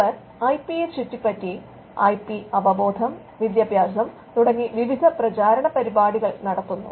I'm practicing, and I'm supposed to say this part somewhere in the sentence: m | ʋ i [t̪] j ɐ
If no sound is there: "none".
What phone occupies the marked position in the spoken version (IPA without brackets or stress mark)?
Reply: d̪